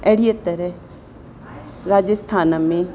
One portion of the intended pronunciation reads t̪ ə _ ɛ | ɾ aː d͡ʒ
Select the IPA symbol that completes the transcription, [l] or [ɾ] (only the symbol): ɾ